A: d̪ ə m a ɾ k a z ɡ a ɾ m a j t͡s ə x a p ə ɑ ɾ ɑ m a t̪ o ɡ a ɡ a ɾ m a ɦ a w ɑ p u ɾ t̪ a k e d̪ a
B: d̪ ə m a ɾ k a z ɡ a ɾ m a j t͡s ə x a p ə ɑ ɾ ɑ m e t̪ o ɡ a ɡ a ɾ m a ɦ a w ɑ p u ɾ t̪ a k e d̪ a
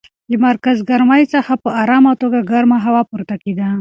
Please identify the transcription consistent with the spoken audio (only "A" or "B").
A